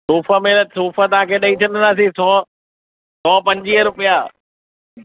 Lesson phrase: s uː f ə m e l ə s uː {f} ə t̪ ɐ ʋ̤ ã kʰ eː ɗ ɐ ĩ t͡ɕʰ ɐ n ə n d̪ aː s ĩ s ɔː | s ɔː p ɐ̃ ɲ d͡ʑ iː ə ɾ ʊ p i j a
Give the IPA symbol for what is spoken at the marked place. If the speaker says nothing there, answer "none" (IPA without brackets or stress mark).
f